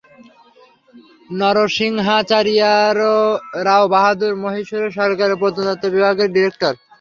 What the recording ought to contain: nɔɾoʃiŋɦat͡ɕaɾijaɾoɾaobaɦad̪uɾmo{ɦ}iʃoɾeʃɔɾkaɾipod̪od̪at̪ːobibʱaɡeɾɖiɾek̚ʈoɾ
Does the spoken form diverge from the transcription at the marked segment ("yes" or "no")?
no